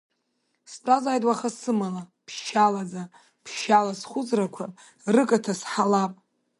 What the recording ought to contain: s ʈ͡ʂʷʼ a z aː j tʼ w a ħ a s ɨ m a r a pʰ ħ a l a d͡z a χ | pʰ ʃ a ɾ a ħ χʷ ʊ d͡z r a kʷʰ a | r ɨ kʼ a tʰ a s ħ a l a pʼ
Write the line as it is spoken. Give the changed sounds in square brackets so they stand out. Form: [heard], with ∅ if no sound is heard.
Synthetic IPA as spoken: s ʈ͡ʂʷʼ a z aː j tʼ w a [χ] a s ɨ m a [l] a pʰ [ʃ] a l a d͡z a [∅] | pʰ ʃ a [l] a [s] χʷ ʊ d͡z r a kʷʰ a | r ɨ kʼ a tʰ a s ħ a l a pʼ